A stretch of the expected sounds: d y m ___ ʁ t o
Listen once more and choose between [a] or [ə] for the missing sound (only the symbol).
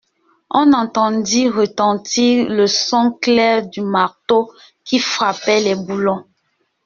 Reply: a